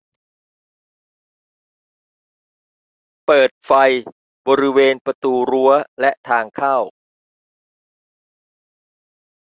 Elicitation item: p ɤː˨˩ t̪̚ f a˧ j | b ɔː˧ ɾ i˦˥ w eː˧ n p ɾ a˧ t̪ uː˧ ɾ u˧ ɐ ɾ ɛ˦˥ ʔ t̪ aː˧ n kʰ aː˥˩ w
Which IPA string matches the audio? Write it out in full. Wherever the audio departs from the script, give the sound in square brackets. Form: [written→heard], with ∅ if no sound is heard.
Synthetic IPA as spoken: p ɤː˨˩ t̪̚ f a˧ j | b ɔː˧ ɾ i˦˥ w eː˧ n p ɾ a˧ t̪ uː˧ ɾ [u˧→u˦˥] ɐ [ɾ→l] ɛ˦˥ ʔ [t̪→t̪ʰ] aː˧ [n→ŋ] kʰ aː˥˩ w